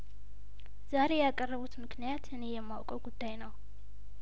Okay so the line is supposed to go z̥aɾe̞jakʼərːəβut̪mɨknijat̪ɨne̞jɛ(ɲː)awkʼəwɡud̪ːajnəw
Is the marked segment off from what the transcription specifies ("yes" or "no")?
yes